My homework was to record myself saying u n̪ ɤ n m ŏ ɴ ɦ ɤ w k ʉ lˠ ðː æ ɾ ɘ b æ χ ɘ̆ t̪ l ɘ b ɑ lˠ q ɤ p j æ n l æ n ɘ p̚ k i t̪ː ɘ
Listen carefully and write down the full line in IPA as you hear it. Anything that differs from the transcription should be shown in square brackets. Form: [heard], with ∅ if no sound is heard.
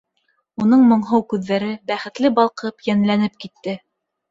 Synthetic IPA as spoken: u n̪ ɤ [ɴ] m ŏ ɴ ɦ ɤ w k ʉ [∅] ðː æ ɾ ɘ b æ χ ɘ̆ t̪ l ɘ b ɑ lˠ q ɤ p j æ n l æ n ɘ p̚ k i t̪ː ɘ